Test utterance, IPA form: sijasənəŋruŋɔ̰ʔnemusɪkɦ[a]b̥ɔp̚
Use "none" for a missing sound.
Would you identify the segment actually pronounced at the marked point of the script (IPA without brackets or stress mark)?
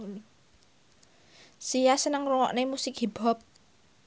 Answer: i